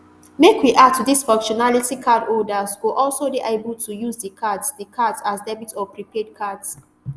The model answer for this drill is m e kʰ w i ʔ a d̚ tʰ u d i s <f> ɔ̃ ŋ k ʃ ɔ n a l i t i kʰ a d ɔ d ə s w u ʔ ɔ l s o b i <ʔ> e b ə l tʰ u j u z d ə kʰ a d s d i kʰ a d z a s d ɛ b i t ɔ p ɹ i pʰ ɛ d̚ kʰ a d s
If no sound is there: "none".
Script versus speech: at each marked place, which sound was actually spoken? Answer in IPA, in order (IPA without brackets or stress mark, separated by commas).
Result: f, ʔ